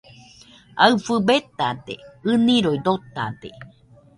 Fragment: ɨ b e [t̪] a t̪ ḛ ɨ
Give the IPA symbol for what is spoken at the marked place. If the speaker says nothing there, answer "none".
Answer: t̪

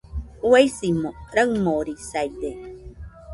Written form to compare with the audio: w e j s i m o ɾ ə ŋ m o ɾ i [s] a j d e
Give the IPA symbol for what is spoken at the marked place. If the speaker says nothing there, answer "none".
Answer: s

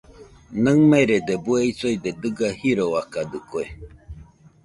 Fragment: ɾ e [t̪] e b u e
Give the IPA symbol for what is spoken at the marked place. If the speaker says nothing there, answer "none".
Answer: d̪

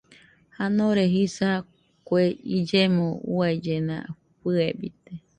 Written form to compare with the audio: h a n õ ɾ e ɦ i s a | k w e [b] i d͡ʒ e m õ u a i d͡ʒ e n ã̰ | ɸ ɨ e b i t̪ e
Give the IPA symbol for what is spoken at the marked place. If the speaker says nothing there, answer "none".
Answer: none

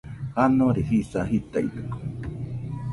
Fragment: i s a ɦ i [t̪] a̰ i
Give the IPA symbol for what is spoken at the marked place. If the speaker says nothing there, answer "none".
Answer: t̪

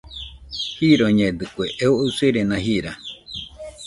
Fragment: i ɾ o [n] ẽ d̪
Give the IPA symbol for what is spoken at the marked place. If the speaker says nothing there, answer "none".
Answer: ɲ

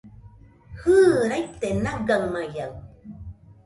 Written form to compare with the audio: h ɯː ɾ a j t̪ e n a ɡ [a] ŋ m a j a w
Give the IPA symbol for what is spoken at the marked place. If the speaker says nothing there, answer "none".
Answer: a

